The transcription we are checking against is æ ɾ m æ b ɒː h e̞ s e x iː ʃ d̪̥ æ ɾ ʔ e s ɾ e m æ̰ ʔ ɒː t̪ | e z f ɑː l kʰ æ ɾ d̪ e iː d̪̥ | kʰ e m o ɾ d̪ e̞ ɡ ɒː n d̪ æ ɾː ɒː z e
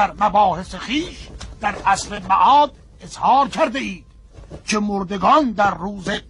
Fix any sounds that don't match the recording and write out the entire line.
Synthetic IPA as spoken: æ ɾ m æ b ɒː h e̞ s e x iː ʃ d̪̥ æ ɾ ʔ æ s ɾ e m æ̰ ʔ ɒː d̪ | e z h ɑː ɾ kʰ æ ɾ d̪ e iː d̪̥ | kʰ e m o ɾ d̪ e̞ ɡ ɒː n d̪ æ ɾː uː z e